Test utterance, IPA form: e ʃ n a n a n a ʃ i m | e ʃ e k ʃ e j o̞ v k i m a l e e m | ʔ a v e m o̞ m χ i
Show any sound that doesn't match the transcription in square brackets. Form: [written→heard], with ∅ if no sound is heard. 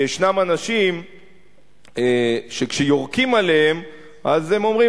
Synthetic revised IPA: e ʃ n a [n→m] a n a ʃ i m | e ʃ e k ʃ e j o̞ [v→ʁ] k i m a l e e m | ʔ a [v→z] e m o̞ m [χ→ʁ] i